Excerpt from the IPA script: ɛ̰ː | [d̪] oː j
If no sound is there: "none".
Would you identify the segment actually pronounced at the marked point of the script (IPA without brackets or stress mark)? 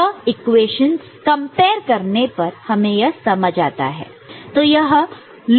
t̪